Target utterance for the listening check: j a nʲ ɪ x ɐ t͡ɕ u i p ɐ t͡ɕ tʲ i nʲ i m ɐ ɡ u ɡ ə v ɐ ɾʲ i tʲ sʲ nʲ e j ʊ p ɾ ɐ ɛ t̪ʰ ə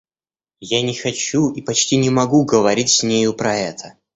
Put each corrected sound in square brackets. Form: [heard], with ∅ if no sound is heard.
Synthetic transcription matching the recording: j a nʲ ɪ x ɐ t͡ɕ u i p ɐ t͡ɕ tʲ i nʲ [ɪ] m ɐ ɡ u ɡ ə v ɐ ɾʲ i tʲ sʲ nʲ e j ʊ p ɾ ɐ ɛ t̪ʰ ə